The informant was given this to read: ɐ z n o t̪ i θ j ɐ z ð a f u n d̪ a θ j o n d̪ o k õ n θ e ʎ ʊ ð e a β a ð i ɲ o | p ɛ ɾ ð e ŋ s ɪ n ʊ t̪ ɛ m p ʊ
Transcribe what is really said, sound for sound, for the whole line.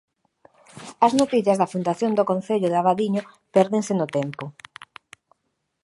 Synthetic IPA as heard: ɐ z n o t̪ i θ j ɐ z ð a f u n d̪ a θ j o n d̪ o k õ n θ e ʎ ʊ ð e a β a ð i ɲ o | p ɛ ɾ ð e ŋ s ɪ n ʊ t̪ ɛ m p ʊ